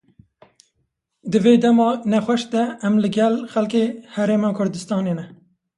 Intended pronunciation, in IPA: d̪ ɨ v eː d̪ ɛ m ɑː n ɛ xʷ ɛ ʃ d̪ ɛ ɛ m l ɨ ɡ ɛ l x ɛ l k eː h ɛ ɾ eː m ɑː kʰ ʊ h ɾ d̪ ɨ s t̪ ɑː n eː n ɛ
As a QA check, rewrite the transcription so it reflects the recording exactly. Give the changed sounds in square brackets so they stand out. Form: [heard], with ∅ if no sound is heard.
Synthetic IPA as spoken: d̪ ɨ v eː d̪ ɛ m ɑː n ɛ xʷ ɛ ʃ d̪ ɛ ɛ m l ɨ ɡ ɛ l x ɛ l k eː h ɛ ɾ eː m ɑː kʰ ʊ [∅] ɾ d̪ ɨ s t̪ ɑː n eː n ɛ